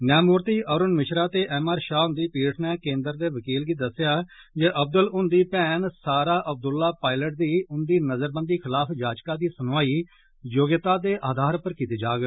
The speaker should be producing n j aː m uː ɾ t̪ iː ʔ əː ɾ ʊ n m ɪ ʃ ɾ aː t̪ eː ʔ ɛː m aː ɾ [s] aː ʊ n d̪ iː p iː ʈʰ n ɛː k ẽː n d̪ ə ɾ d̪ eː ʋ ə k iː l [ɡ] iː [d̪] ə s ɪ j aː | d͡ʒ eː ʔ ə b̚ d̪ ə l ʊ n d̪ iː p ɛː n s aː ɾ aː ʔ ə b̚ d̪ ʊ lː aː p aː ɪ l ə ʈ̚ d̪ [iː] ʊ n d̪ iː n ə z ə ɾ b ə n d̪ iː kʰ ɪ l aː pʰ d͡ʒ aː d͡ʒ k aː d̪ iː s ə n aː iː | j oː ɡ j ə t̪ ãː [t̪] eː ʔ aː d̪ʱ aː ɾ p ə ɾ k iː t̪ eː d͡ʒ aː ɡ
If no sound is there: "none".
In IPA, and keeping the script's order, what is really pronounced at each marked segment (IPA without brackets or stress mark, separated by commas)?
ʃ, ɡ, d̪, iː, d̪